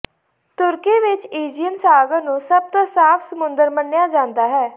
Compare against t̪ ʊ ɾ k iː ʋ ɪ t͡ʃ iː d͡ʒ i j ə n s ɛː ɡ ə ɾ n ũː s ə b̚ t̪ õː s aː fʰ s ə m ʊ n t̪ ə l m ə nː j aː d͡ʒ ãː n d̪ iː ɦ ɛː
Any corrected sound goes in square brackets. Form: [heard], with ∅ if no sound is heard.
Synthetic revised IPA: t̪ ʊ ɾ k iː ʋ ɪ t͡ʃ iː d͡ʒ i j ə n s [aː] ɡ ə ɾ n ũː s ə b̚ t̪ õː s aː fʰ s ə m ʊ n [d̪] ə [ɾ] m ə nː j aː d͡ʒ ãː n d̪ [aː] ɦ ɛː